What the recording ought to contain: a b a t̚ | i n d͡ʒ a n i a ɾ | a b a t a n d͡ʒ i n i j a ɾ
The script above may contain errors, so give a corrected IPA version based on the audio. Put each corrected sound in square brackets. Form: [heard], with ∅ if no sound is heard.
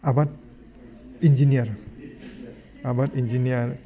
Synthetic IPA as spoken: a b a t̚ | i n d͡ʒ [i] n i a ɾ | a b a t [i] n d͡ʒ i n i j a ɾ